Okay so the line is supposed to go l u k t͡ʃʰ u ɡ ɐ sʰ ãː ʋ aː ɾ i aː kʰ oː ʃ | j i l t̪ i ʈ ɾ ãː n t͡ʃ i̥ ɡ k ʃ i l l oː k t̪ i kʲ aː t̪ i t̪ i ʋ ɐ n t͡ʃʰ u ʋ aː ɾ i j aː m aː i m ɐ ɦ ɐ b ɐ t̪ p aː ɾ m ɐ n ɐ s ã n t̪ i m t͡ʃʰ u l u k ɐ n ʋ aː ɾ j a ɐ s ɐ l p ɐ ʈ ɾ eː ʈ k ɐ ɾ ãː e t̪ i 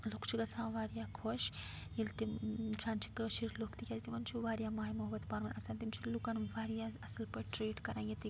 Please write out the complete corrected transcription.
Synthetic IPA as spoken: l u k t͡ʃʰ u ɡ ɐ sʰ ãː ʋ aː ɾ j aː kʰ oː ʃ | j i l t̪ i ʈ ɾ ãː n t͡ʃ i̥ k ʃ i ɾ l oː k t̪ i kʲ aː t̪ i t̪ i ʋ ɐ n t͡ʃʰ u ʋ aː ɾ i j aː m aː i m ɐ ɦ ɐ b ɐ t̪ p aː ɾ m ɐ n ɐ s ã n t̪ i m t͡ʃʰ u l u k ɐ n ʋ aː ɾ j a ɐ s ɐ l p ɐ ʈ ɾ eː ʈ k ɐ ɾ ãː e t̪ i